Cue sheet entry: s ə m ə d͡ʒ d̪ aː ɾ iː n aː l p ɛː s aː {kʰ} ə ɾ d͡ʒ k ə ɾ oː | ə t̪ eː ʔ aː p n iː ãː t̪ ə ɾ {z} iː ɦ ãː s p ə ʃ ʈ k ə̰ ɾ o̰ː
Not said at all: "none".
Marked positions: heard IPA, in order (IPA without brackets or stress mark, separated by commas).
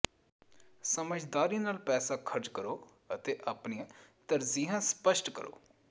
kʰ, z